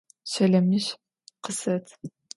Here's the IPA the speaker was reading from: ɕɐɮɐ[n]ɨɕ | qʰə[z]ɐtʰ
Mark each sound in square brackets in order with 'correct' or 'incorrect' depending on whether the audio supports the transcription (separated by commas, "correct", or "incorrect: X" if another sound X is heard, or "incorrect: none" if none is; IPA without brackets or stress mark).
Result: incorrect: m, incorrect: s